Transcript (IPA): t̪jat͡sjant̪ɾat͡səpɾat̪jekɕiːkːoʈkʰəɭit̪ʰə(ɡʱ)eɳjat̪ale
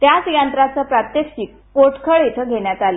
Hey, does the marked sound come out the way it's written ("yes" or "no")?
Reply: yes